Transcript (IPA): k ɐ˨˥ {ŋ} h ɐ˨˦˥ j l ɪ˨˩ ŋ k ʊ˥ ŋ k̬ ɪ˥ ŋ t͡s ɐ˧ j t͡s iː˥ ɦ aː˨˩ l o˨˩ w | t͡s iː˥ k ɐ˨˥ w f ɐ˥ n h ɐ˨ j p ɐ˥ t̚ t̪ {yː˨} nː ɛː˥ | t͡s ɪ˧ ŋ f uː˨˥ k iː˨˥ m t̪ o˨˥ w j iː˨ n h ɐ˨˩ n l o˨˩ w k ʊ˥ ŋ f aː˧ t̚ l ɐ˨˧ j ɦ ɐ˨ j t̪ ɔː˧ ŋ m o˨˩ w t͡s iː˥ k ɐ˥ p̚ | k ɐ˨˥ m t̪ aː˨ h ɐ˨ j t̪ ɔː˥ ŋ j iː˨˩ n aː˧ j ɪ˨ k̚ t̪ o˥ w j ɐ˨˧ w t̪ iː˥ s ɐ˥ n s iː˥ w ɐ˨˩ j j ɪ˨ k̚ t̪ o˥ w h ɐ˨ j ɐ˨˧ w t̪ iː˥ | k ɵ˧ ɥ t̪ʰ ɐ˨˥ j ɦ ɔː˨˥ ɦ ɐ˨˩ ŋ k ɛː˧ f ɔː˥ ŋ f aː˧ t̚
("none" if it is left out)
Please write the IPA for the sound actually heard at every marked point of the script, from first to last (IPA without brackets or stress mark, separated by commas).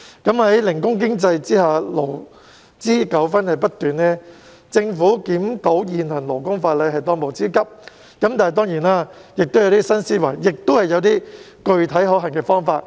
m, yː˨